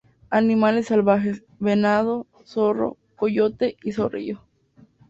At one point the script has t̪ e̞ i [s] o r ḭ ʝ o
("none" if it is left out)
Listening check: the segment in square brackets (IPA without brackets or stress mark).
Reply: s